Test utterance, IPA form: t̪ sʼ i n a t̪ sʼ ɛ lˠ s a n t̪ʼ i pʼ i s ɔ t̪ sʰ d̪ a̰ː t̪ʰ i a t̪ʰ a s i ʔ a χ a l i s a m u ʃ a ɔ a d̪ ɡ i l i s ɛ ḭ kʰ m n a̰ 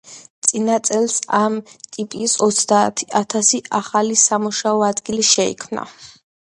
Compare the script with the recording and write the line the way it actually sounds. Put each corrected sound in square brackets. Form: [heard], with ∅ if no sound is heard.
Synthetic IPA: t̪ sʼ i n a t̪ sʼ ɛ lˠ s a [m] t̪ʼ i pʼ i s ɔ t̪ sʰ d̪ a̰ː t̪ʰ i a t̪ʰ a s i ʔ a χ a l i s a m u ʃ a ɔ a d̪ ɡ i l i [ʃ] ɛ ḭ kʰ m n a̰